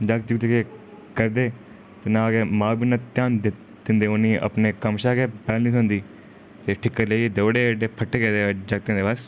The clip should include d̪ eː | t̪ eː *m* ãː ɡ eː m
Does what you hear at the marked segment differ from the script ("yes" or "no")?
yes